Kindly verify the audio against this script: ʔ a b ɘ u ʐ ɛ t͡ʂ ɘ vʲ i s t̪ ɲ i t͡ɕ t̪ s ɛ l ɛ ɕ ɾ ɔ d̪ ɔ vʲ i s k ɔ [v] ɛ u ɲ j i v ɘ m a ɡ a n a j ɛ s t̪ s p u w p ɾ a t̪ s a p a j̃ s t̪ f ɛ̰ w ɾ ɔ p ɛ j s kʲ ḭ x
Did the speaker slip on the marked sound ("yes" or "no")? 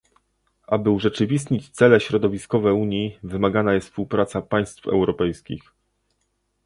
no